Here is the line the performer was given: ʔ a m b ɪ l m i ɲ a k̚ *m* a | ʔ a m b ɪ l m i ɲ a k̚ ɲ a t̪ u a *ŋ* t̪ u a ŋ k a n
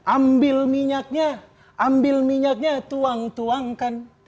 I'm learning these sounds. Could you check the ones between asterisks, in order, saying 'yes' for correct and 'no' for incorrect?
no, yes

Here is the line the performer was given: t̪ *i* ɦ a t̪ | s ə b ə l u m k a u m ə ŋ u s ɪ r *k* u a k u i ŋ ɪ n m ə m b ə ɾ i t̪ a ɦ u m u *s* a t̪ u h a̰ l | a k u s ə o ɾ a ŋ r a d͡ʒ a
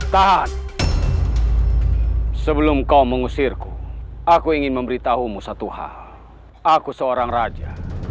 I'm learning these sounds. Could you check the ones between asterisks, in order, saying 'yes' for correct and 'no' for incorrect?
no, yes, yes

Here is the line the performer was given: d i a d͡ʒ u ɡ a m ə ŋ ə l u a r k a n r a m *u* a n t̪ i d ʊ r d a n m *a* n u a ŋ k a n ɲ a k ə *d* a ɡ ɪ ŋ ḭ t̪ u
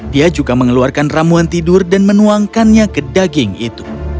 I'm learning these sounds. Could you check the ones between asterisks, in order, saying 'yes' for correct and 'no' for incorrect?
yes, no, yes

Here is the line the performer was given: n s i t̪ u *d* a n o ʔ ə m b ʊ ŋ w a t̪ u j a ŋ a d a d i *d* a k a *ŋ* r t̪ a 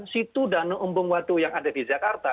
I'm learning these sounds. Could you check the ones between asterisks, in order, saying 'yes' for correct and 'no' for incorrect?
yes, no, no

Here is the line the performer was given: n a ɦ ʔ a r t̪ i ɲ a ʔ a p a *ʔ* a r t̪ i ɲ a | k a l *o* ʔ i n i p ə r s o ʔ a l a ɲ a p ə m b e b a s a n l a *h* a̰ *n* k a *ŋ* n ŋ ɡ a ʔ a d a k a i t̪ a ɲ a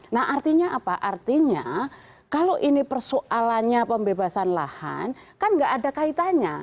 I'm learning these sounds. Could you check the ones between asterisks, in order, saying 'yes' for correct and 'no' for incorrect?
yes, yes, yes, yes, no

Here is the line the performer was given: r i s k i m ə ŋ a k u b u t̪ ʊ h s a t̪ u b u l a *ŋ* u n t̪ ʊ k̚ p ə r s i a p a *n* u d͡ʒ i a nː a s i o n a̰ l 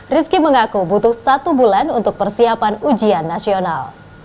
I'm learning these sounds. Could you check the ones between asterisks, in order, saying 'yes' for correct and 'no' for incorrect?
no, yes

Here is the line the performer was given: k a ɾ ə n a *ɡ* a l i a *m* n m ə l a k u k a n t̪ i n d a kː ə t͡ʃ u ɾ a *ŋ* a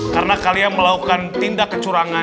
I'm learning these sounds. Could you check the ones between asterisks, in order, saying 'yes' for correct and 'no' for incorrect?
no, no, yes

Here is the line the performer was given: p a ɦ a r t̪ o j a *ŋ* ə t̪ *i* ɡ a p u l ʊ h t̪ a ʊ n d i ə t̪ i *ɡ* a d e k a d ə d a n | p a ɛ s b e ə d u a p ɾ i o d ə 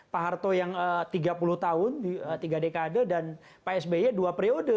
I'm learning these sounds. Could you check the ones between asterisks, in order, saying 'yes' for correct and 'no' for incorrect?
yes, yes, yes

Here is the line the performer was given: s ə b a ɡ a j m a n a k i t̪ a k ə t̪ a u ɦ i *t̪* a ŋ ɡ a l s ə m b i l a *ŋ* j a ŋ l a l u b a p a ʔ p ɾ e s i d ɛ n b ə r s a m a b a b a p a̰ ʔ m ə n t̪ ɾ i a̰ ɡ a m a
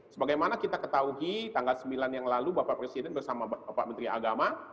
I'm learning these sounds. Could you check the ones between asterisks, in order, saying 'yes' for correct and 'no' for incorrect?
yes, no

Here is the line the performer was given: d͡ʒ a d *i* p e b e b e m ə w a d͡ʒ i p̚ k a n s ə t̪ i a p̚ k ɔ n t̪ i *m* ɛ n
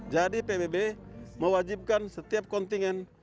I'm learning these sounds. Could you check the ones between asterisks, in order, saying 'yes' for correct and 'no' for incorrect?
yes, no

